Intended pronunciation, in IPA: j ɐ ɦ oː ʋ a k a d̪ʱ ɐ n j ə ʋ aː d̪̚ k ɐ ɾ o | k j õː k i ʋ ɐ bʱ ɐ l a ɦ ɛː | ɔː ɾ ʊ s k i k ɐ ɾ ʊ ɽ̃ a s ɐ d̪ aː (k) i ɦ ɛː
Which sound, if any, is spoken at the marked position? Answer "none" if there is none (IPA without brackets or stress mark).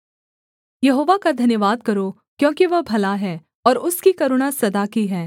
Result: k